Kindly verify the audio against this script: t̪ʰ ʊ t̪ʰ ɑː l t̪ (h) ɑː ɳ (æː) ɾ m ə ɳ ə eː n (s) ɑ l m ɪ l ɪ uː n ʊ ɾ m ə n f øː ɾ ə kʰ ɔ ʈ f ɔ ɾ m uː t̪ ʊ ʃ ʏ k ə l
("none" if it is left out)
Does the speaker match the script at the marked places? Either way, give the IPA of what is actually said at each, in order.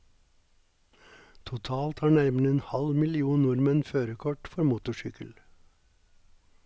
h, æ, h

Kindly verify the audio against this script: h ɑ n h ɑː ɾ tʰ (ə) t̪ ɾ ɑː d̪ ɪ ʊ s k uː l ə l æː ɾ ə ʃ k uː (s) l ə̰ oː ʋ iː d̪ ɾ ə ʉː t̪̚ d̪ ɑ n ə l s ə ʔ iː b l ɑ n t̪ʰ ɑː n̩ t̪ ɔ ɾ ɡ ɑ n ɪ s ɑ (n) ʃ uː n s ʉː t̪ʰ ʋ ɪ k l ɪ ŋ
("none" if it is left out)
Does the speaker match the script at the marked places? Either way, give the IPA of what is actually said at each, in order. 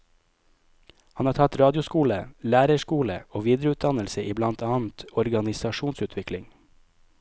ɑ, none, none

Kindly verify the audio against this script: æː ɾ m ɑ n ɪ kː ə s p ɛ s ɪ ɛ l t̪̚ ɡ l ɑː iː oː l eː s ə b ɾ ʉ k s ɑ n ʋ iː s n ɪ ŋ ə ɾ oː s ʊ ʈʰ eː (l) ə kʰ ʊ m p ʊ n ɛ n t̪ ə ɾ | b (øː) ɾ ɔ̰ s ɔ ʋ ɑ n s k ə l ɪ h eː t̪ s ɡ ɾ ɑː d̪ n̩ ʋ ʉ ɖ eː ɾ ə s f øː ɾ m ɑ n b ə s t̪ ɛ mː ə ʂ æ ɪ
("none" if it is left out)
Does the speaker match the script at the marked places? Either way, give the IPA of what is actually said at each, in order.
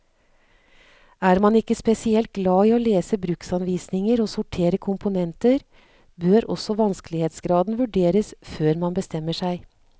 ɾ, øː

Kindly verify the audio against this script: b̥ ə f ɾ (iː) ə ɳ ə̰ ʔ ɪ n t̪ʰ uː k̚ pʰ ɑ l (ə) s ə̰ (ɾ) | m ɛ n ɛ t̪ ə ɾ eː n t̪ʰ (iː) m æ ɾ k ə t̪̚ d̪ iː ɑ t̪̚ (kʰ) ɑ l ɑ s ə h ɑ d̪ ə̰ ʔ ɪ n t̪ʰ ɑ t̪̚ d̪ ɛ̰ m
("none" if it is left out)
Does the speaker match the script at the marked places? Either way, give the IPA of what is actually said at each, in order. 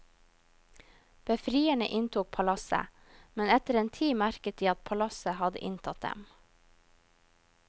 iː, ɑ, none, iː, pʰ

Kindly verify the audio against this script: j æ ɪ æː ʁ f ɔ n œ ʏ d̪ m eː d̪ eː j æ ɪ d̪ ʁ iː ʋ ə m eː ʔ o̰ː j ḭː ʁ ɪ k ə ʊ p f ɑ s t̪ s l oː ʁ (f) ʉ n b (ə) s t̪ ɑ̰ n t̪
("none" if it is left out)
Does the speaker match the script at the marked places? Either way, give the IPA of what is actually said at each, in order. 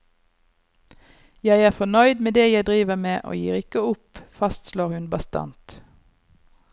h, ɑ

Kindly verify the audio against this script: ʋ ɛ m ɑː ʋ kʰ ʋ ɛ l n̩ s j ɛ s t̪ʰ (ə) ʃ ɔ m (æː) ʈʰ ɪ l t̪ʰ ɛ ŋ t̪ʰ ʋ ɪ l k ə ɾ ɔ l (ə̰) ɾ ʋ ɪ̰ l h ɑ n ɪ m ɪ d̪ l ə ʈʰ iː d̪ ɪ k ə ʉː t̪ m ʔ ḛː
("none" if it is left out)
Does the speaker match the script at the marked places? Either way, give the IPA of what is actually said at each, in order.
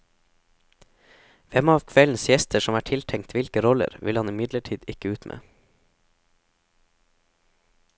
ə, æː, ə̰

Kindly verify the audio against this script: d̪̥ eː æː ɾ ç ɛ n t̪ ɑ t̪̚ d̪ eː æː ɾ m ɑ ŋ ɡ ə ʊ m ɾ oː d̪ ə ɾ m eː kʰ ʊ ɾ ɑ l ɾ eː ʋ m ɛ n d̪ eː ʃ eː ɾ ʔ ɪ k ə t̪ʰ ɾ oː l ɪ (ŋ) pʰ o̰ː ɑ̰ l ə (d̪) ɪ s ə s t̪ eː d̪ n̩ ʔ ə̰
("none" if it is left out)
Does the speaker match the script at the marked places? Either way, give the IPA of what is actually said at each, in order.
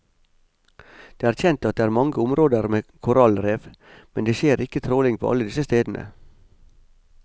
ŋ, d̪

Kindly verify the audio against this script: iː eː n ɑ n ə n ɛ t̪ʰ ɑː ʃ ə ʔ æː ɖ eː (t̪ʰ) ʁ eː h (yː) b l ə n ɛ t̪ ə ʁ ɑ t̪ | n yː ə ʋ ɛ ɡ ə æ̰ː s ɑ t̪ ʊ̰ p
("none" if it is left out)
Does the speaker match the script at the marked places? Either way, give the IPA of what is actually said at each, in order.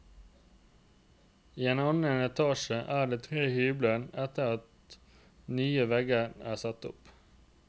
t̪ʰ, yː

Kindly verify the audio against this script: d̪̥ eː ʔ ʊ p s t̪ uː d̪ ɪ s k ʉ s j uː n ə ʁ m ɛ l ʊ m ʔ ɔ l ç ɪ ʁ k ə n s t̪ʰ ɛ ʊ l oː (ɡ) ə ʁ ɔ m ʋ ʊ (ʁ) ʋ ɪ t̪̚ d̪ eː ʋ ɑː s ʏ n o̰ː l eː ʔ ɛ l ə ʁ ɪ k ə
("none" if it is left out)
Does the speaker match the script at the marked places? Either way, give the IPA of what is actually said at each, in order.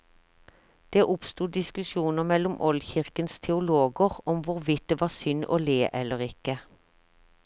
ɡ, ʁ

